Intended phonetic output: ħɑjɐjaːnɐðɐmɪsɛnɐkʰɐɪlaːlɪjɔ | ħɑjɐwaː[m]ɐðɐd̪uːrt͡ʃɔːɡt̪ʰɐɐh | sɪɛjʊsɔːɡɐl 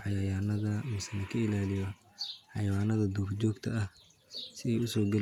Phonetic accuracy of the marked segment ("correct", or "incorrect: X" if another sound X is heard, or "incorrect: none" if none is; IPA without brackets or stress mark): incorrect: n